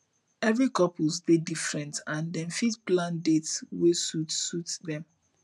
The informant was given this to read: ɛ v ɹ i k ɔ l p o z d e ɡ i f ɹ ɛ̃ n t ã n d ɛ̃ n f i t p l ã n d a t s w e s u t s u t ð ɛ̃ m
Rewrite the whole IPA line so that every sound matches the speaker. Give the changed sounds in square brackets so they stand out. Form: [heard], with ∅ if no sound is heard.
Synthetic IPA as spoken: ɛ v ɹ i k ɔ [∅] p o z d e [d] i f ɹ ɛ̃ n t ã n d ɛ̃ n f i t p l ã n d [e] t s w e s u t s u t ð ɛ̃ m